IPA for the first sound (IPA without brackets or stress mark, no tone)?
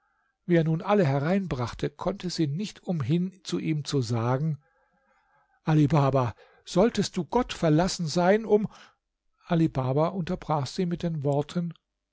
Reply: v